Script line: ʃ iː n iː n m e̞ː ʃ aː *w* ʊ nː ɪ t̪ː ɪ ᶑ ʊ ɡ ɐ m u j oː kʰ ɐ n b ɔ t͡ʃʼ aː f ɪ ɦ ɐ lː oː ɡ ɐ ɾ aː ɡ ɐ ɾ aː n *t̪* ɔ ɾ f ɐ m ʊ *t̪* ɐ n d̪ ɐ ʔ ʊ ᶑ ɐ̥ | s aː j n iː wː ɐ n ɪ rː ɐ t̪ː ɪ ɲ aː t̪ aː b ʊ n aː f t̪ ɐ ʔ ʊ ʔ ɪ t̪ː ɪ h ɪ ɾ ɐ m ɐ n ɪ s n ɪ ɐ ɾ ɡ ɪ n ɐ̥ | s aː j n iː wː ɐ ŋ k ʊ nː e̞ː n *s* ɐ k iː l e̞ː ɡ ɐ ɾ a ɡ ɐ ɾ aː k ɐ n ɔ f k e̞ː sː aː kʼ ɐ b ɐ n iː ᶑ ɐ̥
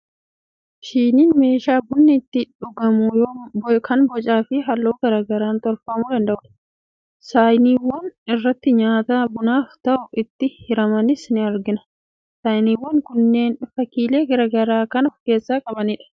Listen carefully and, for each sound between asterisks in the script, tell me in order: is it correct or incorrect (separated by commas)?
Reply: incorrect, correct, incorrect, incorrect